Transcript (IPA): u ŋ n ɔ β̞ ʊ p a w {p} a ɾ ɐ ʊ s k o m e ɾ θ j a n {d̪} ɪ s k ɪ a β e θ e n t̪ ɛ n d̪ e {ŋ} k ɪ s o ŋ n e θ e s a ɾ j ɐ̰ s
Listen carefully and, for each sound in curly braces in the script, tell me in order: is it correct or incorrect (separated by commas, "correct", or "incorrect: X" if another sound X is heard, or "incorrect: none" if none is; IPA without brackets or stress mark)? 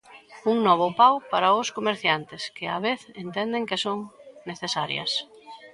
correct, incorrect: t̪, correct